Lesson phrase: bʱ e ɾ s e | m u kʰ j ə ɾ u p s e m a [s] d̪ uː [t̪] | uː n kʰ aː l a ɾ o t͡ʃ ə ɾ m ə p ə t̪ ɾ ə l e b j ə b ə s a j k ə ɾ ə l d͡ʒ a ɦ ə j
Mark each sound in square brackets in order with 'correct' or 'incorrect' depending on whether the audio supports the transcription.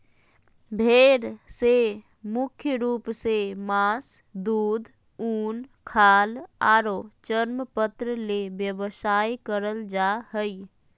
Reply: correct, incorrect

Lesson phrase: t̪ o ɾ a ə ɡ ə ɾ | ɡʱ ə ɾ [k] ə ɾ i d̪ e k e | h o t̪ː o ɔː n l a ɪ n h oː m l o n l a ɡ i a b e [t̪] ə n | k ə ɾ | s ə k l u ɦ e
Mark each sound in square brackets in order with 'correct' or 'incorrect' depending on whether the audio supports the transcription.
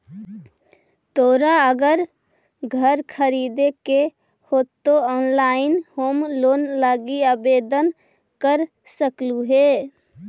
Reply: incorrect, incorrect

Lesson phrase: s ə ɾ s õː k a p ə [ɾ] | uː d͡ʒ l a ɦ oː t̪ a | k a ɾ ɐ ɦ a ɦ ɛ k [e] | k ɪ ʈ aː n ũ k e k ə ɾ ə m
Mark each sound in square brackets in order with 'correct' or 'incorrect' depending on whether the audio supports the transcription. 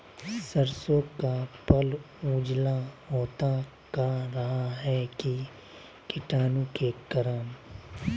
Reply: incorrect, incorrect

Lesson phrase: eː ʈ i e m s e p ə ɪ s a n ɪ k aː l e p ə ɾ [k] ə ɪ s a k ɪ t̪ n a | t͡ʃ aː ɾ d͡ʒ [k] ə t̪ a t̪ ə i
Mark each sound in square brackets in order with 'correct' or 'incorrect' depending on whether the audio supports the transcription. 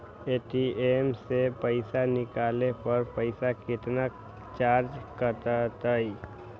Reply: incorrect, correct

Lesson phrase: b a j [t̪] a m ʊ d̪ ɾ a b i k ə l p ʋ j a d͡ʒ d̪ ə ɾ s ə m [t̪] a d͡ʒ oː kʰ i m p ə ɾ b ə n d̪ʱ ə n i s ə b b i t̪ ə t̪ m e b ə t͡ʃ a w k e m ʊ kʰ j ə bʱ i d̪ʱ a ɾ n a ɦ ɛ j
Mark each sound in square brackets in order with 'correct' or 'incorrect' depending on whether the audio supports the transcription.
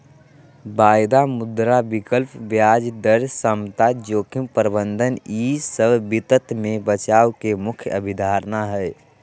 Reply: incorrect, correct

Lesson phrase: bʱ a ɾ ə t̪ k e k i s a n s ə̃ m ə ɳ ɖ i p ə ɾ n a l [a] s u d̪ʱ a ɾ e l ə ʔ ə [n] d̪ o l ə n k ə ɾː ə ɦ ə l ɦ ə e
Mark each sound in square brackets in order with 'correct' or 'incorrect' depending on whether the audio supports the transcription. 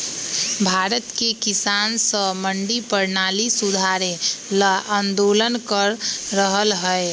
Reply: incorrect, correct

